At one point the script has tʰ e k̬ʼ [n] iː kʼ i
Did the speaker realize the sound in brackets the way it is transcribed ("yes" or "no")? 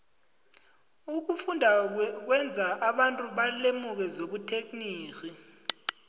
yes